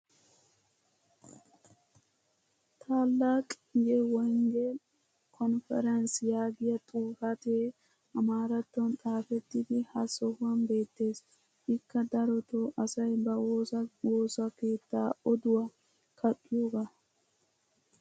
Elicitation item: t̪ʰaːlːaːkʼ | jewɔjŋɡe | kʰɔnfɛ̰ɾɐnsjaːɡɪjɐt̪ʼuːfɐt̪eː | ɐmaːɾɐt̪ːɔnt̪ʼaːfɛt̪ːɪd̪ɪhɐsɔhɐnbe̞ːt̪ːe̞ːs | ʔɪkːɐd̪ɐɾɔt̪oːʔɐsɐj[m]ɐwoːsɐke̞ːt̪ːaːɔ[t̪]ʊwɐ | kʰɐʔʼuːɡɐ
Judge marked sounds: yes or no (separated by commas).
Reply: no, no